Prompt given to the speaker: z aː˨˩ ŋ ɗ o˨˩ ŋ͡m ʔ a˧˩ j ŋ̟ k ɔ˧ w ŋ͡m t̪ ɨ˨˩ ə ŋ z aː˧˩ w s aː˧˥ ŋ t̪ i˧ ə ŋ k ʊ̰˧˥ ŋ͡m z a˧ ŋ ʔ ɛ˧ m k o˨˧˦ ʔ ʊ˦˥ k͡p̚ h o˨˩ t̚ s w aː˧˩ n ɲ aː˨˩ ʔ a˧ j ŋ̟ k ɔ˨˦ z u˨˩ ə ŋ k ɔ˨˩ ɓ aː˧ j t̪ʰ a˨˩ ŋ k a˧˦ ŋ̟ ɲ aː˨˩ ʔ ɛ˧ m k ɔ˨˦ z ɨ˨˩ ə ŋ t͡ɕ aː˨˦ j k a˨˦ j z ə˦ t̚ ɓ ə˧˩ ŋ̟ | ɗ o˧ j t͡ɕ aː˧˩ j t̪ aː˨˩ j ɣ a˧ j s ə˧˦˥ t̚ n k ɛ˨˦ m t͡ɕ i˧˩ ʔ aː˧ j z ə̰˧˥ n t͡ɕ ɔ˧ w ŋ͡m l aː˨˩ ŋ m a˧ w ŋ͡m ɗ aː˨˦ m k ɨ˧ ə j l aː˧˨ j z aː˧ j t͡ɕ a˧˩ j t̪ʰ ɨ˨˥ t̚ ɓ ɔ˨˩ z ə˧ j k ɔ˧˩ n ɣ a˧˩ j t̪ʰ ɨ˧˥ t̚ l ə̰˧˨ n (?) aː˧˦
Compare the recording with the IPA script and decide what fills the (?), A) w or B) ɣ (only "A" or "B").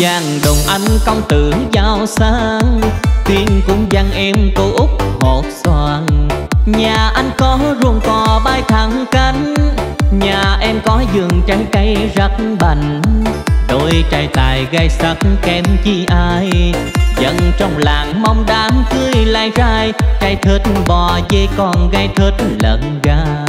B